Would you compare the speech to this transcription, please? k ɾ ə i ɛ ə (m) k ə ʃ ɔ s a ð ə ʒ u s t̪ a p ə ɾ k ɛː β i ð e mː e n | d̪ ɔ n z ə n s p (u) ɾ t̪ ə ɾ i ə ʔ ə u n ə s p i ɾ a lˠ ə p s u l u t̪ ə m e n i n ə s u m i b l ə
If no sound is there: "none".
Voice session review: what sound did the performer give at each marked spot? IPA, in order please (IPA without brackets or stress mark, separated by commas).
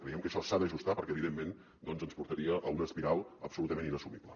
m, u